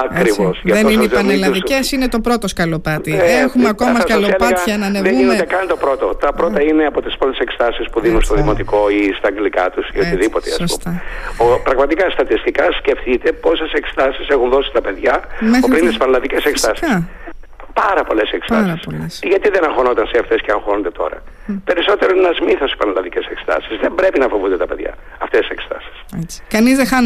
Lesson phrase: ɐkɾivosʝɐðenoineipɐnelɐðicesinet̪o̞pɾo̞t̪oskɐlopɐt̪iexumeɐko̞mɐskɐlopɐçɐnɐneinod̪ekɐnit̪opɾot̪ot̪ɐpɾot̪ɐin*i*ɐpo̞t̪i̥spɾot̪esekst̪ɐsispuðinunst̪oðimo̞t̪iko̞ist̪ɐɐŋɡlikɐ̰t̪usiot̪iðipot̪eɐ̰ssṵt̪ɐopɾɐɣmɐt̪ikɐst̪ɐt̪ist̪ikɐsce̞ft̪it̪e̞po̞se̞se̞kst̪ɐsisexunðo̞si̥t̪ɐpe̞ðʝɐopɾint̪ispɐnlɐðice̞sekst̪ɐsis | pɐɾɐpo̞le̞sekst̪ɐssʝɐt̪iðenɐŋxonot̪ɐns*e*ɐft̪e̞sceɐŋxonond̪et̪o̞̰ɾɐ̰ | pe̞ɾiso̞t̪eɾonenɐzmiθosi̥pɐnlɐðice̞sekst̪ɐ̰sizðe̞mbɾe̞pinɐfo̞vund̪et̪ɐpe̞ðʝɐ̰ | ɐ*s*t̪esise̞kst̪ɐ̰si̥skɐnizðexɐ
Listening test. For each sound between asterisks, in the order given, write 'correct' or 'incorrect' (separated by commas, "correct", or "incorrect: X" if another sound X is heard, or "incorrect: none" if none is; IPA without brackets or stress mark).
incorrect: e, correct, incorrect: f